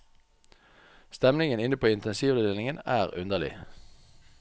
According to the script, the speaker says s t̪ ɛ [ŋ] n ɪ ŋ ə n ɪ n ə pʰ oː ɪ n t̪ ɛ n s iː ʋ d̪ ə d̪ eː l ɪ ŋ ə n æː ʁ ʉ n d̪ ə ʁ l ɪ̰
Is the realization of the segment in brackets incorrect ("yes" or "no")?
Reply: yes